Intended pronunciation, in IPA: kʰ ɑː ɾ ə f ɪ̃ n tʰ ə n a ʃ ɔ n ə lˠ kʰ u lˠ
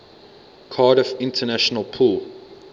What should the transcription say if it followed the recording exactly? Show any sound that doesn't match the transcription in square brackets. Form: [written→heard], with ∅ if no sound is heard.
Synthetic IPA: kʰ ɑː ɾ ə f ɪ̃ n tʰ ə n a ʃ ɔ n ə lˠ [kʰ→pʰ] u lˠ